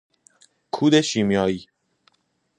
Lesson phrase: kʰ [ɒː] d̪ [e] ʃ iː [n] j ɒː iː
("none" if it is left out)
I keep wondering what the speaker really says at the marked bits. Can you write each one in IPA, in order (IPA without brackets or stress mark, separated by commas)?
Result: uː, e, m